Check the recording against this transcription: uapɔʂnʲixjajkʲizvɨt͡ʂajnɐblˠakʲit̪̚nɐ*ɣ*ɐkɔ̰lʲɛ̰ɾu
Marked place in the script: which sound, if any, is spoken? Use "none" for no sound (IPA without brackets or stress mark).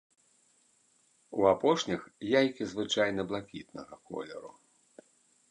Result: ɣ